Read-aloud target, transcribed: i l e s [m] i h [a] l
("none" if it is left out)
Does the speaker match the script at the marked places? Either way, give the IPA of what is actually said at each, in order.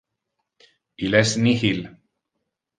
n, i

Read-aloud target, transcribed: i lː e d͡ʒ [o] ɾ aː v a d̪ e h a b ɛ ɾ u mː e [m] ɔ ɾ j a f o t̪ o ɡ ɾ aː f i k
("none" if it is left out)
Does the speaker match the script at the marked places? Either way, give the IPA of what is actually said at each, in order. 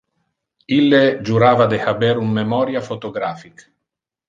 u, m

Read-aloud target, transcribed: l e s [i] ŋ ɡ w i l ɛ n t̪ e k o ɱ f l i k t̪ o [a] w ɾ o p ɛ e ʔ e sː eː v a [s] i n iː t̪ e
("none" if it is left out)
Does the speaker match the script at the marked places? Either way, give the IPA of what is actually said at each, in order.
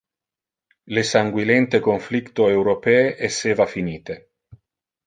a, e, f

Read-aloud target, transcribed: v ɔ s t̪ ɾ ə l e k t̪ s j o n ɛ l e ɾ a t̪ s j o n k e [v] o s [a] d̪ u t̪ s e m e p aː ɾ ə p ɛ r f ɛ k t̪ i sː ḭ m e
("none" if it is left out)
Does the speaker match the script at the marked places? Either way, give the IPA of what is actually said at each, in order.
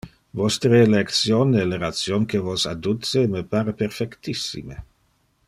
v, a

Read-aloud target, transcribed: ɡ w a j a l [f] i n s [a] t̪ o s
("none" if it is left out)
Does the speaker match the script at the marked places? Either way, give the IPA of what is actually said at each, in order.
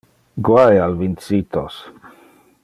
v, i

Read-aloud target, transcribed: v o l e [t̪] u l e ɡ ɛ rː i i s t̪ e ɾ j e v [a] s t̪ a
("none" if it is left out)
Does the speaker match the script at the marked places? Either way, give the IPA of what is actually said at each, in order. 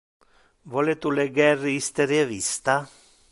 t̪, i

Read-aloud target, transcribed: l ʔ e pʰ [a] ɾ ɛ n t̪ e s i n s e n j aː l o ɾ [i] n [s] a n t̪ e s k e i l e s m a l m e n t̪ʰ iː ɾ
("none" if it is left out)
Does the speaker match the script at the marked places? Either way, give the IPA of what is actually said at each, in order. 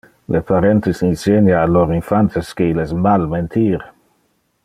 a, i, f

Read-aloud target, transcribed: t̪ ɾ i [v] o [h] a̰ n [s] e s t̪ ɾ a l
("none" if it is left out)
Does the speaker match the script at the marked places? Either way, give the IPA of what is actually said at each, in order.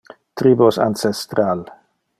b, s, s

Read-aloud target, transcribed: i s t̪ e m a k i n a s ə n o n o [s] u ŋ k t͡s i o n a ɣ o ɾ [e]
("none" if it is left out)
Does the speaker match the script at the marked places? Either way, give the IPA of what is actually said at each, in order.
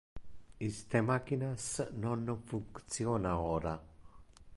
f, a

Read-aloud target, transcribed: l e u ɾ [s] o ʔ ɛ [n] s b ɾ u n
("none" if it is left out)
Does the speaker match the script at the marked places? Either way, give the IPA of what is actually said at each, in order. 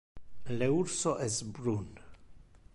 s, none

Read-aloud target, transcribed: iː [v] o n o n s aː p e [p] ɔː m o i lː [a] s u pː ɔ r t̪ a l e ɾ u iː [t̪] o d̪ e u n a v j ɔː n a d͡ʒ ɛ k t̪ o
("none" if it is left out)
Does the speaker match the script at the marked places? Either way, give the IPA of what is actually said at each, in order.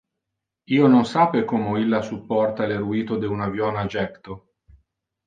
none, k, a, t̪

